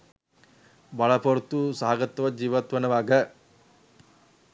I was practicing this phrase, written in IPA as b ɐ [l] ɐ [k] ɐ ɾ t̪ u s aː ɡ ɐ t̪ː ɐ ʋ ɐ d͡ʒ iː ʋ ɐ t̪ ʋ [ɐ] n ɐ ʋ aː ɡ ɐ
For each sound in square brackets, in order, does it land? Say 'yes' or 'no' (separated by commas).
no, no, yes